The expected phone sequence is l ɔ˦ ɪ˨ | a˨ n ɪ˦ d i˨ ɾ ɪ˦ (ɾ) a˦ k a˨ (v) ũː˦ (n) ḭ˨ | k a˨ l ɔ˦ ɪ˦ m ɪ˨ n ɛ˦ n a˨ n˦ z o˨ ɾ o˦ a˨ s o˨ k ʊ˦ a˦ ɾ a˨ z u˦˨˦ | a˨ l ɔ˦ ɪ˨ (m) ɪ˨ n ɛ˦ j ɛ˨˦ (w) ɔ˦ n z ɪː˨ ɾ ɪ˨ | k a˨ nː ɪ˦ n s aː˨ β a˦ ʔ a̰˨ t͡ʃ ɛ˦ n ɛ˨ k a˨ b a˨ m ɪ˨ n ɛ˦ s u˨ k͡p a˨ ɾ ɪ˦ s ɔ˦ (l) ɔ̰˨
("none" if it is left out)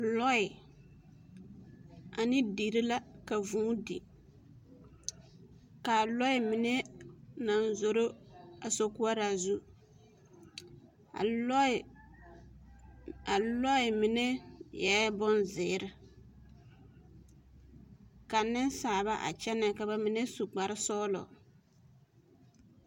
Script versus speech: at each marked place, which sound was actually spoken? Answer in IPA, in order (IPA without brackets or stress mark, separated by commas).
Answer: l, v, d, m, b, l